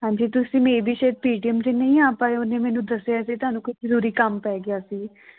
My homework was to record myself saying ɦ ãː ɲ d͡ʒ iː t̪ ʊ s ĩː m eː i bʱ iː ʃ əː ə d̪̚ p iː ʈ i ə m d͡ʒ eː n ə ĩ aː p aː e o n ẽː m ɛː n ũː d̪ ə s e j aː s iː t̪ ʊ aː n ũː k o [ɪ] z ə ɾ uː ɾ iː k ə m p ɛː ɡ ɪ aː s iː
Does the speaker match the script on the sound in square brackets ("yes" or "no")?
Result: no